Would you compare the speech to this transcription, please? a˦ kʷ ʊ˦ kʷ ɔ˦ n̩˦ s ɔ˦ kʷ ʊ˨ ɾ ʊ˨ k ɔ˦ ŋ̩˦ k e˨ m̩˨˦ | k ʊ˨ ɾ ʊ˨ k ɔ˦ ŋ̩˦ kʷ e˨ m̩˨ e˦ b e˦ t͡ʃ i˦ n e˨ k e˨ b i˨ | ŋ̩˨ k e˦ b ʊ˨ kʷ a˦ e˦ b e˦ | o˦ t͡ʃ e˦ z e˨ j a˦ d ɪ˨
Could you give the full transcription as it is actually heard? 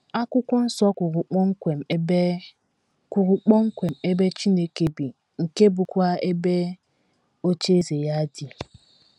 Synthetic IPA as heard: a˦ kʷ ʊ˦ kʷ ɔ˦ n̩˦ s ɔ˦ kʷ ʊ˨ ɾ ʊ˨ k͡p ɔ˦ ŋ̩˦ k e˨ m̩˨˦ | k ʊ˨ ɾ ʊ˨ k͡p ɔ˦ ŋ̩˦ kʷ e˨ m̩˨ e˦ b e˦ t͡ʃ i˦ n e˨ k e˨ b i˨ | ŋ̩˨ k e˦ b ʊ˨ kʷ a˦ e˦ b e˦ | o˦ t͡ʃ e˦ z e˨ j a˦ d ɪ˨